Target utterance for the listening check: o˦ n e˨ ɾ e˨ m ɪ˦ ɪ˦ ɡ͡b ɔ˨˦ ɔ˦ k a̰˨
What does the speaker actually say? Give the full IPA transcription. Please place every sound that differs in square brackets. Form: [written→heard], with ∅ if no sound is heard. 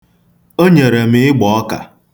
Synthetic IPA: o˦ [n→ɲ] e˨ ɾ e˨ m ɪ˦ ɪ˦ ɡ͡b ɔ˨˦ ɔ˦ k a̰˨